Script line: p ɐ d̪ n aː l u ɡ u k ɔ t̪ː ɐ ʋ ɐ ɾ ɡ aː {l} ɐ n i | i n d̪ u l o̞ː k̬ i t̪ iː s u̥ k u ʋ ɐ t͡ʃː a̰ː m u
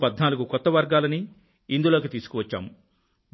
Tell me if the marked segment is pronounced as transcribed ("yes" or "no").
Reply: yes